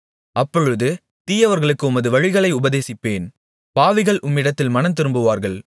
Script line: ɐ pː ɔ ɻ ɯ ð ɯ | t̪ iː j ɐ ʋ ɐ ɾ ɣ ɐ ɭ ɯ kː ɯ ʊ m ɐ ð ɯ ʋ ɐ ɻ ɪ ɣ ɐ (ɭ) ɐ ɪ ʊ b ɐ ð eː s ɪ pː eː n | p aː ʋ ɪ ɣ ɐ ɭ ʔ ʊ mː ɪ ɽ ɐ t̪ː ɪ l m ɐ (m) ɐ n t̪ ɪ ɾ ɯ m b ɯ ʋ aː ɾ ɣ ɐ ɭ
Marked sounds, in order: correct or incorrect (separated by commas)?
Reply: correct, incorrect